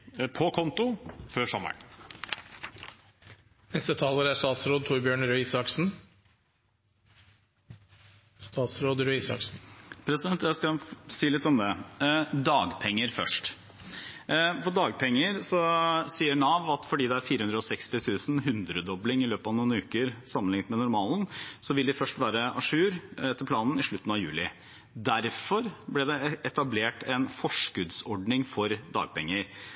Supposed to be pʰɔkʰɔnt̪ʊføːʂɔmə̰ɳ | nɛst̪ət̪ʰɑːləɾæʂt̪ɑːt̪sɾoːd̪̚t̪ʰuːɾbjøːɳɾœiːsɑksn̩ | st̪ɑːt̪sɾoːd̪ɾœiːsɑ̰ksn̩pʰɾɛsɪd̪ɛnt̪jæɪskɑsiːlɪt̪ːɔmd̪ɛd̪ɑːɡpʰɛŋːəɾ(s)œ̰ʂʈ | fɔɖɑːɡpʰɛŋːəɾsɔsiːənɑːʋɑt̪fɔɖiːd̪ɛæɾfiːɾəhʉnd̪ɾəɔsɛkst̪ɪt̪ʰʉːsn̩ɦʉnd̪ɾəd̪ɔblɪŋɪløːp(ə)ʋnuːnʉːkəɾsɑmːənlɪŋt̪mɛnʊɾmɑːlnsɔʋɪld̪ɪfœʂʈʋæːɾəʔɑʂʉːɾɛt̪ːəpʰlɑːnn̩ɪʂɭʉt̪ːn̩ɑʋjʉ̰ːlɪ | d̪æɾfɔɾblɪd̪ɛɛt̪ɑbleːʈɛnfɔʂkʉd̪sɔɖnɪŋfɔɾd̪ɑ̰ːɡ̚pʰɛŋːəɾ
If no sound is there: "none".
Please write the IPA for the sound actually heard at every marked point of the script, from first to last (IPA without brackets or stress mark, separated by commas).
f, ɑ